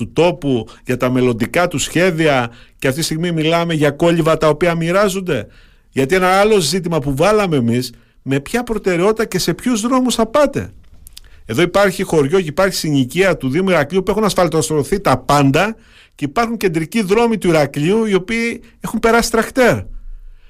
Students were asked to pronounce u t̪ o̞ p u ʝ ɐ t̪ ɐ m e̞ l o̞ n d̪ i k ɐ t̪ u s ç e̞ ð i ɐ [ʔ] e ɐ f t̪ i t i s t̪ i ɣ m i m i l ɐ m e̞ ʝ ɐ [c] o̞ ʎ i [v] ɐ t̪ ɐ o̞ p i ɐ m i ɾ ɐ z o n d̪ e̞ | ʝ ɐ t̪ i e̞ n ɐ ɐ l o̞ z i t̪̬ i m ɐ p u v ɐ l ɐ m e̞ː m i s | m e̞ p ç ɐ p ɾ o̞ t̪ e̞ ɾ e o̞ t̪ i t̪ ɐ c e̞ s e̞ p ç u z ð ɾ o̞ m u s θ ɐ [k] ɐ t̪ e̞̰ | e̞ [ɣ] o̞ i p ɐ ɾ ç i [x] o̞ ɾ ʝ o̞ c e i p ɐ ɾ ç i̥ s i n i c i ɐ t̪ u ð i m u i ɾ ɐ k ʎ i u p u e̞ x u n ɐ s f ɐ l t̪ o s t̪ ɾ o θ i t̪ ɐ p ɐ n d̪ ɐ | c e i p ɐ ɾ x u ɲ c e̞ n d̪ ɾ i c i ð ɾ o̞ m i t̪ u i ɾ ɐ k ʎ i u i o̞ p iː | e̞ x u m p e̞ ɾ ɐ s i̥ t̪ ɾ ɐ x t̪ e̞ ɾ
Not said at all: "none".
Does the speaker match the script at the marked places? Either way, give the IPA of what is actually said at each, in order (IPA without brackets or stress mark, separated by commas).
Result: c, k, v, p, ð, x